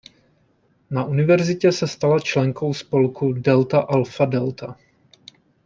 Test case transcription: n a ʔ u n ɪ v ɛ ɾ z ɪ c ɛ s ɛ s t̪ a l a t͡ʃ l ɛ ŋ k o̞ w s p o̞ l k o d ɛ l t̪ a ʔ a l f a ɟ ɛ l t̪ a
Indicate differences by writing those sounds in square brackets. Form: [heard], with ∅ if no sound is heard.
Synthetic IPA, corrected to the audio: n a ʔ u n ɪ v ɛ ɾ z ɪ c ɛ s ɛ s t̪ a l a t͡ʃ l ɛ ŋ k o̞ w s p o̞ l k [u] d ɛ l t̪ a ʔ a l f a [d] ɛ l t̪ a